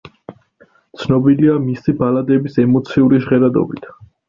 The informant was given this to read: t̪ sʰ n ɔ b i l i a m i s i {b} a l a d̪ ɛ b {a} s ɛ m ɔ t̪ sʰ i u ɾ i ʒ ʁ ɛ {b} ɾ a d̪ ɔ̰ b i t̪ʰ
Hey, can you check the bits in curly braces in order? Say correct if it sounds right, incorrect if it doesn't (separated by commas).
correct, incorrect, incorrect